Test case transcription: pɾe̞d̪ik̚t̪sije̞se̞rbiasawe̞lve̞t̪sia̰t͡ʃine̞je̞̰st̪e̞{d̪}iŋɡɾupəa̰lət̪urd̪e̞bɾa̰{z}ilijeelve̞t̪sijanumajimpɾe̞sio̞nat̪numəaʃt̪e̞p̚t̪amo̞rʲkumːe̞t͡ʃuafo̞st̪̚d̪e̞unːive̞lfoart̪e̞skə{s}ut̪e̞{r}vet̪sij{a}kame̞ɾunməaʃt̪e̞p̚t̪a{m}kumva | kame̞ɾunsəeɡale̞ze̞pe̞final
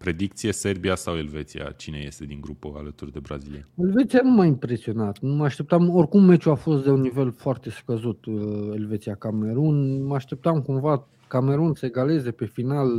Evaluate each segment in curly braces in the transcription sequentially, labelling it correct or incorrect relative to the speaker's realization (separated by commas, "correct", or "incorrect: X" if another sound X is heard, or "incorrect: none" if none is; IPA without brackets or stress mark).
correct, correct, incorrect: z, incorrect: l, correct, correct